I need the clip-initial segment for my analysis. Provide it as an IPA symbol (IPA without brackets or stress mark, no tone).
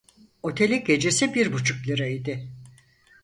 o̞